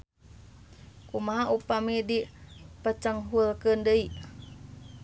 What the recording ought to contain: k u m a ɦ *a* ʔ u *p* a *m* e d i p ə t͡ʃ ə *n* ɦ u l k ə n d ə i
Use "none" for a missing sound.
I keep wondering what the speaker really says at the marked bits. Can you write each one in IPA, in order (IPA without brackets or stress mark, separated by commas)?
a, p, m, ŋ